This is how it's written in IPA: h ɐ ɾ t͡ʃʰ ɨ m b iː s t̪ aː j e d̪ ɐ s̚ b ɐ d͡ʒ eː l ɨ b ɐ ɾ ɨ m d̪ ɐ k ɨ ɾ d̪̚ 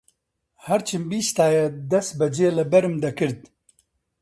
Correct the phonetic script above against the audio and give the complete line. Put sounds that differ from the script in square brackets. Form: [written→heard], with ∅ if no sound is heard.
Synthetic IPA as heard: h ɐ ɾ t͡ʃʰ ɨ m b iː s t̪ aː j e d̪ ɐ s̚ b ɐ d͡ʒ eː l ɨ b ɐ ɾ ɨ m d̪ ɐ k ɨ ɾ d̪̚